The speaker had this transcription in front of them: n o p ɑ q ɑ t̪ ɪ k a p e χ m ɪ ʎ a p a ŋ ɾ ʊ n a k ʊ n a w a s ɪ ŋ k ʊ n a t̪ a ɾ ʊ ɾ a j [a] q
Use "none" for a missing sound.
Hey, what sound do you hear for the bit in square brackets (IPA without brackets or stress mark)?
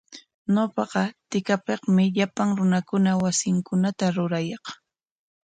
ɑ